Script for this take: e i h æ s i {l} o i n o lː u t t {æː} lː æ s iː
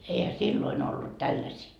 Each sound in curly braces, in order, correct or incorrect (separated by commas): incorrect, incorrect